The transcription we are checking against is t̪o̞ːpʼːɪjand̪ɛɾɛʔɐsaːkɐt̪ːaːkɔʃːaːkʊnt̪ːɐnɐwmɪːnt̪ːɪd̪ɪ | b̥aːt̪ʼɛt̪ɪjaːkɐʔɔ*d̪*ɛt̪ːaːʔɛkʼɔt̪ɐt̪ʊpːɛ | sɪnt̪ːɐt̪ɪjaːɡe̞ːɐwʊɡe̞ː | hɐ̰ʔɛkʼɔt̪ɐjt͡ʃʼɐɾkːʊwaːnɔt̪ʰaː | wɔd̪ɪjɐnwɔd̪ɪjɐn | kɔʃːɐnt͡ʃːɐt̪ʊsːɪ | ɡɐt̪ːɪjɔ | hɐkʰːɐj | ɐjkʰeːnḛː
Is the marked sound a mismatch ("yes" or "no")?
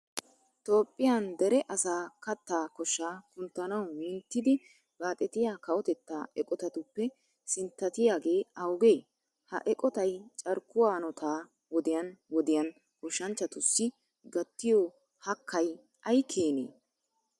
yes